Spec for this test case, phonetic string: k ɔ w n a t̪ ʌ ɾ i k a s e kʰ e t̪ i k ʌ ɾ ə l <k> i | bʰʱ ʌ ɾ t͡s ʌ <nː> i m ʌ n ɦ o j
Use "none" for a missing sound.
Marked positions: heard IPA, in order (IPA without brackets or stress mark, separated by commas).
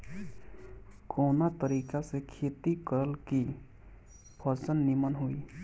k, nː